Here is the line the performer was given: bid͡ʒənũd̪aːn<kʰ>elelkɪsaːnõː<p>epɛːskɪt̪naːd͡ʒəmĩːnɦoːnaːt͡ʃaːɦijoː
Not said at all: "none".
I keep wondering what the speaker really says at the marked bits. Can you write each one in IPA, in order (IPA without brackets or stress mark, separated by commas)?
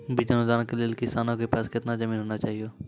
k, k